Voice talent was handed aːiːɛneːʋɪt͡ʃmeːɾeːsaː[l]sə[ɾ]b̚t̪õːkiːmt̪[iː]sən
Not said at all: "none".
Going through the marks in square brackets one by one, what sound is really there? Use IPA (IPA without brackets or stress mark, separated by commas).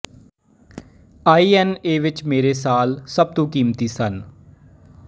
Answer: l, none, iː